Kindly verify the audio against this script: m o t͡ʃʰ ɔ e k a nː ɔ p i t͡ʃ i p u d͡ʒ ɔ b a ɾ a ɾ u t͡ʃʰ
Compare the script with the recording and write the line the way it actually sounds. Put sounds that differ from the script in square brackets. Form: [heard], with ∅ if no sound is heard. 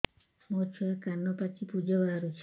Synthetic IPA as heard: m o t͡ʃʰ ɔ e k a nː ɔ p [a] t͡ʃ i p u d͡ʒ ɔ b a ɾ a ɾ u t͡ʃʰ

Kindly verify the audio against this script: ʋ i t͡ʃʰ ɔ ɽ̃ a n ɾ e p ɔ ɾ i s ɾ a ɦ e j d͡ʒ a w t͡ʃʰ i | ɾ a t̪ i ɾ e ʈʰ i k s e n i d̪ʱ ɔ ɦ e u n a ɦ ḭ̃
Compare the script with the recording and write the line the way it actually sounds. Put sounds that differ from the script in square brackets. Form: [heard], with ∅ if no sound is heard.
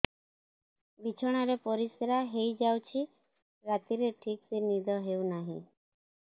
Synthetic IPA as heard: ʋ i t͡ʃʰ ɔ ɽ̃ a [∅] ɾ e p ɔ ɾ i s ɾ a ɦ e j d͡ʒ a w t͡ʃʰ i | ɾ a t̪ i ɾ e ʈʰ i k s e n i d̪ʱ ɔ ɦ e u n a ɦ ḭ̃

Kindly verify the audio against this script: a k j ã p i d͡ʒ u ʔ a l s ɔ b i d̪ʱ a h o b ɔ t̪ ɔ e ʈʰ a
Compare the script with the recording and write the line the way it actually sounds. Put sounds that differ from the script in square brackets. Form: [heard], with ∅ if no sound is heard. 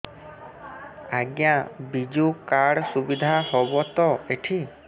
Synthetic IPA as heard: a [ɡ] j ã [b] i d͡ʒ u [k] a [ɽ] s [u] b i d̪ʱ a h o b ɔ t̪ ɔ e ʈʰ [i]

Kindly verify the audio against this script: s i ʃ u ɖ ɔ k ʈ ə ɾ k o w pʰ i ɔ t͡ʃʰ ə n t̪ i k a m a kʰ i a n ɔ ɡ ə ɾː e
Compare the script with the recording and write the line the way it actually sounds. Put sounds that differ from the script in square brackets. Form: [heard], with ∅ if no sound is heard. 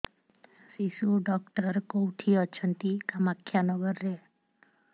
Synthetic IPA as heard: s i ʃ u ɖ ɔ k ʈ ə ɾ k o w [ʈʰ] i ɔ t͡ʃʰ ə n t̪ i k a m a kʰ [j] a n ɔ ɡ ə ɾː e

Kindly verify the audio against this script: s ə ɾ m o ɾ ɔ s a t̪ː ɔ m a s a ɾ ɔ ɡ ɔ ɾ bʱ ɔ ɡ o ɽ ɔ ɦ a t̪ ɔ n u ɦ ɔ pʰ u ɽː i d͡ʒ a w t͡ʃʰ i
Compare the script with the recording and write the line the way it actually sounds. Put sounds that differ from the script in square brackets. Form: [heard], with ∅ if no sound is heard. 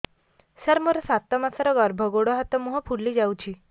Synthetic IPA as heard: s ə ɾ m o ɾ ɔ s a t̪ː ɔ m a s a ɾ ɔ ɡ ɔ ɾ bʱ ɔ ɡ o ɽ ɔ ɦ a t̪ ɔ [m] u ɦ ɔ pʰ u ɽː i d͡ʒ a w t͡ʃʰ i

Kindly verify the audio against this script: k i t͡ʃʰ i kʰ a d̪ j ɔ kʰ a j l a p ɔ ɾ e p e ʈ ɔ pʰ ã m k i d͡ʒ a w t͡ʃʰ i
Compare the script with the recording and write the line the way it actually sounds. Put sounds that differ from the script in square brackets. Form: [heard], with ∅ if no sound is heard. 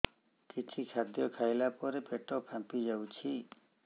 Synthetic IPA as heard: k i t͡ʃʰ i kʰ a d̪ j ɔ kʰ a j l a p ɔ ɾ e p e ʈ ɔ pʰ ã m [p] i d͡ʒ a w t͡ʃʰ i

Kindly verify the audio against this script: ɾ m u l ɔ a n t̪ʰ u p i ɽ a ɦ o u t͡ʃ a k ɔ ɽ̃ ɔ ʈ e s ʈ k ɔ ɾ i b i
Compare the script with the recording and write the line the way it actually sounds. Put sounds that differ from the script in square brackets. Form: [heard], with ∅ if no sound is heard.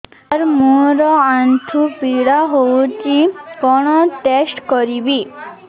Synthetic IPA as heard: ɾ m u [ɾ] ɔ a n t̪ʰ u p i ɽ a ɦ o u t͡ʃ [i] k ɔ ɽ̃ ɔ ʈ e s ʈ k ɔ ɾ i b i

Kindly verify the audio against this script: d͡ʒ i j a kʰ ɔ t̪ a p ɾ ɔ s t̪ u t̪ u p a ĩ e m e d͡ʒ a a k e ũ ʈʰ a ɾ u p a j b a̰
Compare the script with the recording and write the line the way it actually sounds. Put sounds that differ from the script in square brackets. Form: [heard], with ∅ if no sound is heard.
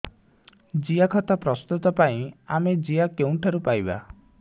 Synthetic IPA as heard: d͡ʒ i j a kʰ ɔ t̪ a p ɾ ɔ s t̪ u t̪ [ɔ] p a ĩ [a] m e d͡ʒ [i] a k e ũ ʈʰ a ɾ u p a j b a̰

